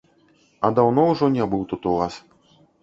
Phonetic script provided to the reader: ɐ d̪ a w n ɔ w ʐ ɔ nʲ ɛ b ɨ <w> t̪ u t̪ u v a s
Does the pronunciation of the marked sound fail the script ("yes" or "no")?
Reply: no